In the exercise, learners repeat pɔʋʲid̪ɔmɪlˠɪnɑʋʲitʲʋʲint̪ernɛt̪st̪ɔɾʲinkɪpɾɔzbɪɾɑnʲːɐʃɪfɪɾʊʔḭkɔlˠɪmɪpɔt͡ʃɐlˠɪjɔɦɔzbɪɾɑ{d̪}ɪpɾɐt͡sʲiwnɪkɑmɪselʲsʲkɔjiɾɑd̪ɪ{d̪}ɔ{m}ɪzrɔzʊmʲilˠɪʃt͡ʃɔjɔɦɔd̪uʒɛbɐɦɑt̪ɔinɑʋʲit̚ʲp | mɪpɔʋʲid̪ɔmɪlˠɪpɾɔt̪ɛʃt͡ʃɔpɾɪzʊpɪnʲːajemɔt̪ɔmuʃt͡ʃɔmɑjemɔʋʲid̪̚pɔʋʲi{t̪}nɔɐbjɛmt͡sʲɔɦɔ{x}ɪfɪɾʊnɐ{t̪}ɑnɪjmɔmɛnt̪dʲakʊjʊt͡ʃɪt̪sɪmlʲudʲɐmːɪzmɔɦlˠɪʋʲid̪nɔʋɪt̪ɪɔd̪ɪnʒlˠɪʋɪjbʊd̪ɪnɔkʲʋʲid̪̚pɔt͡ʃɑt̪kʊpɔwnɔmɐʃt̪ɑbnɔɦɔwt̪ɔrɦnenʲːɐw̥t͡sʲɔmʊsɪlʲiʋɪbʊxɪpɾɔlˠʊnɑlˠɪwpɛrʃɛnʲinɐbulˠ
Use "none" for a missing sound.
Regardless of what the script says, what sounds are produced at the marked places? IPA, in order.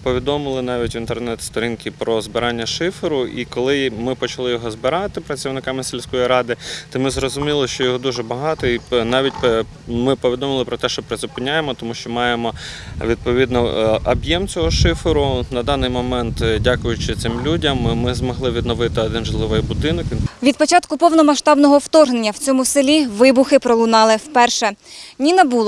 t̪, t̪, m, d̪, ʃ, d̪

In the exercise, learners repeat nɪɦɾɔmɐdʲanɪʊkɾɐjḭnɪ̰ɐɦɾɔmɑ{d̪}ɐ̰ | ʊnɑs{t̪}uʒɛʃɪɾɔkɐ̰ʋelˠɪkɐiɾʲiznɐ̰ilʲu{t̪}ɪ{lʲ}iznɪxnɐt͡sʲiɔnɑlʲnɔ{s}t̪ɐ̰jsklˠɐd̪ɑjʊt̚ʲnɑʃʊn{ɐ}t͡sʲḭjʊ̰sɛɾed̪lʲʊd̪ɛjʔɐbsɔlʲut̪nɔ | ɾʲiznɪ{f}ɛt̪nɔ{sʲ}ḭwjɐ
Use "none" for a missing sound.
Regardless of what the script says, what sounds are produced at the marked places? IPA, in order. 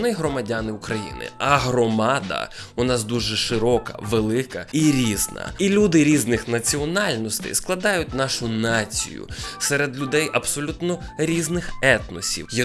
d̪, d̪, d̪, ɾʲ, s, ɑ, x, sʲ

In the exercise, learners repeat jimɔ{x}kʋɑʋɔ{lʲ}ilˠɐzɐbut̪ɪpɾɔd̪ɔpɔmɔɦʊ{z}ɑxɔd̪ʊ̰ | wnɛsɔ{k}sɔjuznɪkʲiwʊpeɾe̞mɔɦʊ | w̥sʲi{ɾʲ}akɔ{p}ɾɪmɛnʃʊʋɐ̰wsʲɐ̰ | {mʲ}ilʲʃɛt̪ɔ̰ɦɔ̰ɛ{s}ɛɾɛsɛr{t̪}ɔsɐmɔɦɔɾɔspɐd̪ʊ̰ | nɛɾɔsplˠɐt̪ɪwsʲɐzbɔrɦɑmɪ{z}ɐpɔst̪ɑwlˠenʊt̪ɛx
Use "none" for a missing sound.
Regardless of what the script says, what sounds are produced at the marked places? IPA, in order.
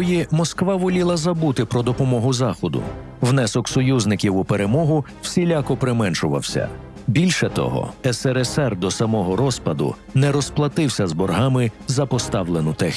s, lʲ, z, k, lʲ, p, bʲ, s, d̪, z

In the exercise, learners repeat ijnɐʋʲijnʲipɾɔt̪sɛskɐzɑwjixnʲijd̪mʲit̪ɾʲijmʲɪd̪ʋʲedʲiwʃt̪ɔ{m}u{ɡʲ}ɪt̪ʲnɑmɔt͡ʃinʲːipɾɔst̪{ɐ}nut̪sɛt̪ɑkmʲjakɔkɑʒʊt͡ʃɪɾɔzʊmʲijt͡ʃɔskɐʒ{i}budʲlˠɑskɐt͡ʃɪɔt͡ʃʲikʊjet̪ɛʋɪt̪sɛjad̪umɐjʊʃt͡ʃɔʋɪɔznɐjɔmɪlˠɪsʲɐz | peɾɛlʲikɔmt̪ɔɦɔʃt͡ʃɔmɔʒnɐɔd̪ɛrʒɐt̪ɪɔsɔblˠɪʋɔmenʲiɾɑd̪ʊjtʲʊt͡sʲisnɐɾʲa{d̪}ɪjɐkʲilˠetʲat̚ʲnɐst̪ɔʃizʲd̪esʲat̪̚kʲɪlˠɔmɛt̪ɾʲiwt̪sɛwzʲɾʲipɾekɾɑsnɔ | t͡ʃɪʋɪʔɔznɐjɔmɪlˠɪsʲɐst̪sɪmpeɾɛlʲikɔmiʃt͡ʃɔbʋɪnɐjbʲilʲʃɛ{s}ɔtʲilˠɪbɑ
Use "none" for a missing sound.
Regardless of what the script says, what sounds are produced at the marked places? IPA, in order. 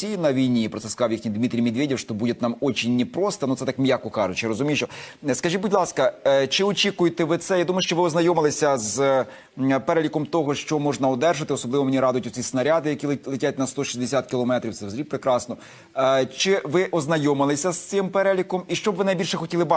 b, dʲ, ɐ, i, d̪, x

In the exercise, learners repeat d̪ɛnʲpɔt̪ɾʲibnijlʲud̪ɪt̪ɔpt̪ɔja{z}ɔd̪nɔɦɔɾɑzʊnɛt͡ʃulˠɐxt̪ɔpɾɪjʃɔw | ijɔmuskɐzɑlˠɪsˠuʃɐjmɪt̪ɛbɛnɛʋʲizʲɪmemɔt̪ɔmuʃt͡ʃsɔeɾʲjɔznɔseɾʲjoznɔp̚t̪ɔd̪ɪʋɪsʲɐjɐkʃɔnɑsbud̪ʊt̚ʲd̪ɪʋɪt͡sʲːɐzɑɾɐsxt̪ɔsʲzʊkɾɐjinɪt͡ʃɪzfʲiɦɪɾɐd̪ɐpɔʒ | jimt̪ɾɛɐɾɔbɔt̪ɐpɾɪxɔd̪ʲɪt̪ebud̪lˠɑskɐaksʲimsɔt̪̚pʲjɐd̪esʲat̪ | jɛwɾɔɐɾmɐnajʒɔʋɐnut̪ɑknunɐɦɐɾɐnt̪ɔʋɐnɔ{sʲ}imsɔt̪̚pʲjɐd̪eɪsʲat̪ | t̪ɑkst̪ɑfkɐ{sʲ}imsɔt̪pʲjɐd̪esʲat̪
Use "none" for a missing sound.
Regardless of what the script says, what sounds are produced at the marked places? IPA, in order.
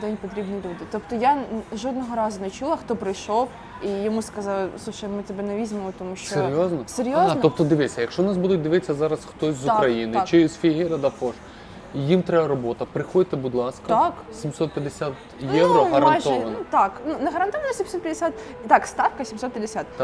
ʒ, sʲ, sʲ

